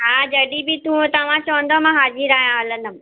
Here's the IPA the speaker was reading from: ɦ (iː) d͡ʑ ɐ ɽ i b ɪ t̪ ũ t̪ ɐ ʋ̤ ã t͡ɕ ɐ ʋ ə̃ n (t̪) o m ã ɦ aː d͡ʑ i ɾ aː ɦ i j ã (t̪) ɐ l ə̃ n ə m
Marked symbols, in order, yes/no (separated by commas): no, no, no